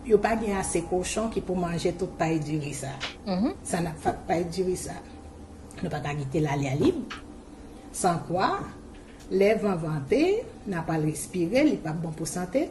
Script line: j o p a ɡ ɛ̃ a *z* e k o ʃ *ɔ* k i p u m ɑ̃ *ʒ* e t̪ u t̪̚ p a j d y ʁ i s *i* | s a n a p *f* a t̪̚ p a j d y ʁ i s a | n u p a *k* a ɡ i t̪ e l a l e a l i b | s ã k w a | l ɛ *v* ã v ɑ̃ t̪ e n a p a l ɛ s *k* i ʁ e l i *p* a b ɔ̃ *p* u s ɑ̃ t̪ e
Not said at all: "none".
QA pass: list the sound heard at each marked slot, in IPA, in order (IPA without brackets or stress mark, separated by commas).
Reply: s, ɔ̃, ʒ, a, f, k, v, p, p, p